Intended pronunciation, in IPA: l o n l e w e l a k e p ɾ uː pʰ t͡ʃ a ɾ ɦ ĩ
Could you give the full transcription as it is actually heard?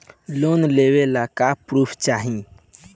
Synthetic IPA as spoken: l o n l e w e l a k a p ɾ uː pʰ t͡ʃ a ɦ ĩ